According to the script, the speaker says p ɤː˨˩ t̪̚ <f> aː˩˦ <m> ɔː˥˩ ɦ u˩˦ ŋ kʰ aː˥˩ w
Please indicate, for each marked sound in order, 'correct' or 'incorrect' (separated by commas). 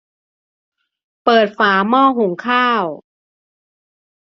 correct, correct